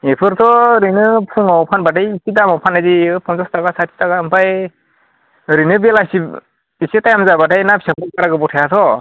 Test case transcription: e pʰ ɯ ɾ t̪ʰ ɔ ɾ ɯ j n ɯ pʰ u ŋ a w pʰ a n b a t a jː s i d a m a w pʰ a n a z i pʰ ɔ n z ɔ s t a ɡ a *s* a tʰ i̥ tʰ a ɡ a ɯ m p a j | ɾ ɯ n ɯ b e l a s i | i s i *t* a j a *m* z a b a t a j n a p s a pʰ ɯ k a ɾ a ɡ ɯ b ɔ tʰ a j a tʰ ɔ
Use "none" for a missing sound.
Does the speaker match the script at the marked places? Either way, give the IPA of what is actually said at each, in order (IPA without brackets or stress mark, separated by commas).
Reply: s, t, m